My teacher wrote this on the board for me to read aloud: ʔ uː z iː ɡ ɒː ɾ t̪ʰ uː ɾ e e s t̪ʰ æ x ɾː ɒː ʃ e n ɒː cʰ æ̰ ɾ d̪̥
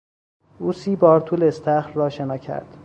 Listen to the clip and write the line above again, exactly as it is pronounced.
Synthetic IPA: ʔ uː s iː b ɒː ɾ t̪ʰ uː l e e s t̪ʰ æ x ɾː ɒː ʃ e n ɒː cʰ æ̰ ɾ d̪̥